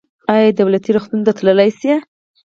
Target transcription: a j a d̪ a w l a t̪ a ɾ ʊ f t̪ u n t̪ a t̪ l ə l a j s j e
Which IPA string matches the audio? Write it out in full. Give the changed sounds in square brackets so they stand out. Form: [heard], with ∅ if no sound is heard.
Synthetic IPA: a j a d̪ a w l a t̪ [i] ɾ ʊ [x] t̪ u n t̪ a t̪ l ə l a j s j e